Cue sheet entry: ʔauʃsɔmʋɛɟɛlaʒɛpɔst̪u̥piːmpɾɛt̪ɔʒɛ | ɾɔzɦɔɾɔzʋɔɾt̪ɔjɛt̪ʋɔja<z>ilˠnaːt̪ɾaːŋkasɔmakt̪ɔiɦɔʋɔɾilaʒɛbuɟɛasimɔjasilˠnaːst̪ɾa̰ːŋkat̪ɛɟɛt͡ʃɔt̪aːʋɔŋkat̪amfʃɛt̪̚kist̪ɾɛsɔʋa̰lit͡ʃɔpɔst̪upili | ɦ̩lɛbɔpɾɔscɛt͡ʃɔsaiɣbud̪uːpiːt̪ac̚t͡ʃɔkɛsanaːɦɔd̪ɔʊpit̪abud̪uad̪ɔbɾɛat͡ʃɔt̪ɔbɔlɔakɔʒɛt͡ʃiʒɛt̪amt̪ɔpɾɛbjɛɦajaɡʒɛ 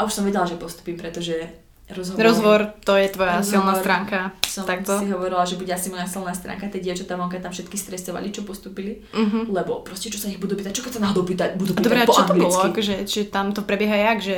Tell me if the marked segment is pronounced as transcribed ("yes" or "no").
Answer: no